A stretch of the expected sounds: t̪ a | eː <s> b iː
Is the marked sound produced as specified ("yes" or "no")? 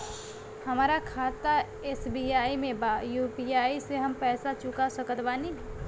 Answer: yes